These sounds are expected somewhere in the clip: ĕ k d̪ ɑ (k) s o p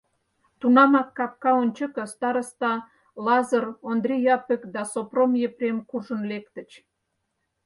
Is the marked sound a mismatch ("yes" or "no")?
yes